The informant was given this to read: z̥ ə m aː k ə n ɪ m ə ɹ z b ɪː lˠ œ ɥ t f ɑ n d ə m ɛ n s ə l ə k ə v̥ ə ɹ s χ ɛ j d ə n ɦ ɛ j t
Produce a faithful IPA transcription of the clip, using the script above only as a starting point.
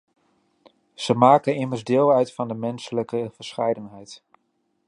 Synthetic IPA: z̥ ə m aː k ə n ɪ m ə ɹ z d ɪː lˠ œ ɥ t f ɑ n d ə m ɛ n s ə l ə k ə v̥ ə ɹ s χ ɛ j d ə n ɦ ɛ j t